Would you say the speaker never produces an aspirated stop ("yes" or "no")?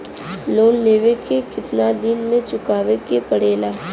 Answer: yes